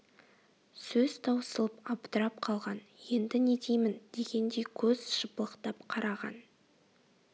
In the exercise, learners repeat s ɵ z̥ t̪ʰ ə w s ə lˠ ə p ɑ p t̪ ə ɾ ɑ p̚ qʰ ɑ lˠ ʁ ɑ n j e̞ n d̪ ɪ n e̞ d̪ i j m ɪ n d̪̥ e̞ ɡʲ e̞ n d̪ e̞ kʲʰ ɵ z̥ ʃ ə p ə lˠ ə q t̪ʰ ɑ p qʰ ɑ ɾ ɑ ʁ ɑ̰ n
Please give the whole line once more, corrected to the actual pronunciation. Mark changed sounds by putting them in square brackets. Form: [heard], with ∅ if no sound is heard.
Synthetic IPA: s ɵ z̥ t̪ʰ [ɑ] w s ə lˠ ə p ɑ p t̪ ə ɾ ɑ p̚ qʰ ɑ lˠ ʁ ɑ n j e̞ n d̪ ɪ n e̞ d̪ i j m ɪ n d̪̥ e̞ ɡʲ e̞ n d̪ e̞ kʲʰ ɵ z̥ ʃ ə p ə lˠ ə q [t̪] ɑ p qʰ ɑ ɾ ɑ ʁ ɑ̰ n